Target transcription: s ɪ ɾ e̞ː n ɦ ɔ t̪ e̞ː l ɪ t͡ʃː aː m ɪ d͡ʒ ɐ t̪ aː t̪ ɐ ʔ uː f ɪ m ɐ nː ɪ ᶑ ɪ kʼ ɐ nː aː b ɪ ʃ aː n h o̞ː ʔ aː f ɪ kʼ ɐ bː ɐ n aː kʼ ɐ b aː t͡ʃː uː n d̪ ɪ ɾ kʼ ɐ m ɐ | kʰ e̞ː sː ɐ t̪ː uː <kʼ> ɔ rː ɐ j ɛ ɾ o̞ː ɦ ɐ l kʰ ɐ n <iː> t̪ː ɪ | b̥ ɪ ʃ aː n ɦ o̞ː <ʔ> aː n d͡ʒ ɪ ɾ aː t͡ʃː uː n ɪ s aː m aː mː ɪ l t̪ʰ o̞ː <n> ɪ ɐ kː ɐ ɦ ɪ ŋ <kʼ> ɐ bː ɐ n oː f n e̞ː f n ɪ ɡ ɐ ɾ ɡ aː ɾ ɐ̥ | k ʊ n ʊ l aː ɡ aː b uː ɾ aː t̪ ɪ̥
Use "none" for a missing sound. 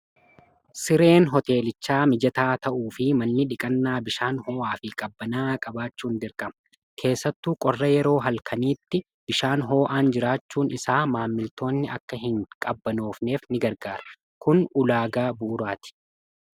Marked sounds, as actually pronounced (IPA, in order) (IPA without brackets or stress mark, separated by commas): kʼ, iː, ʔ, nː, kʼ